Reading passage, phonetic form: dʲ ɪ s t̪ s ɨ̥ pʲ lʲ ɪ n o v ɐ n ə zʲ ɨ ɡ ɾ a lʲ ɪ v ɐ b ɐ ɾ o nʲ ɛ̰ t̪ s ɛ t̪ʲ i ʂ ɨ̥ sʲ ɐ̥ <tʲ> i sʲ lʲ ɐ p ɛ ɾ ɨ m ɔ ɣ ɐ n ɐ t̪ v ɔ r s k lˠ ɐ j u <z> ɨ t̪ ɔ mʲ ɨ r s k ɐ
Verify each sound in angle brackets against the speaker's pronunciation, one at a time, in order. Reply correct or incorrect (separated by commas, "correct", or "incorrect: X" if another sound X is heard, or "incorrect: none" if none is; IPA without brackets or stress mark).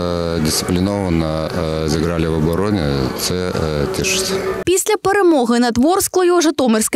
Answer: incorrect: pʲ, incorrect: ʐ